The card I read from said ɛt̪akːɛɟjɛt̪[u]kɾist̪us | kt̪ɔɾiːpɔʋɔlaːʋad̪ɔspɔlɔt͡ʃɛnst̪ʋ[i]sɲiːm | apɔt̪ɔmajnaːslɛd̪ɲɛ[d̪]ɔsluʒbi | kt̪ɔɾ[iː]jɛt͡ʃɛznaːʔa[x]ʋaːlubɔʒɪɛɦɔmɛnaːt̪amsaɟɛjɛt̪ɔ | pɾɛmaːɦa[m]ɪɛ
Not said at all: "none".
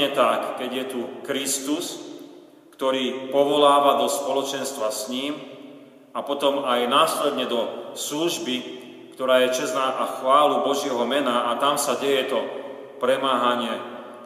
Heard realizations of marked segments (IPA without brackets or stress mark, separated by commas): u, a, d̪, aː, x, ɲ